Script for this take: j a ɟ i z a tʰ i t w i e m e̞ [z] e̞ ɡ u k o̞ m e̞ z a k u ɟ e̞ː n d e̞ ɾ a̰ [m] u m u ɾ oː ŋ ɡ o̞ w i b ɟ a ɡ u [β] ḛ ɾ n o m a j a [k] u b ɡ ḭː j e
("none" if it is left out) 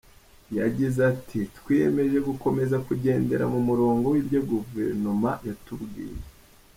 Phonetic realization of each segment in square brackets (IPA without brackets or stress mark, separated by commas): ʒ, m, v, t